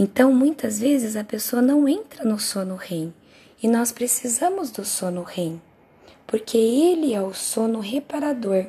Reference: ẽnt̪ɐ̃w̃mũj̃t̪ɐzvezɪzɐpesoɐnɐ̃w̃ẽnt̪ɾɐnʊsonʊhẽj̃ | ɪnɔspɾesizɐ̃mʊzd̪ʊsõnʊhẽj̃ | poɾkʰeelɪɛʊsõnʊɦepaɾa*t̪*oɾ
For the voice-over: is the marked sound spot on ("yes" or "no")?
no